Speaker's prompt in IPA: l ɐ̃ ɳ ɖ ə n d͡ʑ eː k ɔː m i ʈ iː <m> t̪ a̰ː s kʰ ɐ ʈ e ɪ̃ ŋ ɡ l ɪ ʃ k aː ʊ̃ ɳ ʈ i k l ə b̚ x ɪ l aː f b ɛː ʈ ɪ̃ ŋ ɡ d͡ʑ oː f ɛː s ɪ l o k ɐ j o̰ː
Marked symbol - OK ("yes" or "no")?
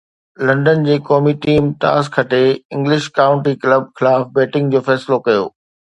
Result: yes